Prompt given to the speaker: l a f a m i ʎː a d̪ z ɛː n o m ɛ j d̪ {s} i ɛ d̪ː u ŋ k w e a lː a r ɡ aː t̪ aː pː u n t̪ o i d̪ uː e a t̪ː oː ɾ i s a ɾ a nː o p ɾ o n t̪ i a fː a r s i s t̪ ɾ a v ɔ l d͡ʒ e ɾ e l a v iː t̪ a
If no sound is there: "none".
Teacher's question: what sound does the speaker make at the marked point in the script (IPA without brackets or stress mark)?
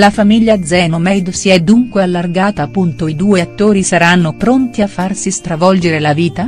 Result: s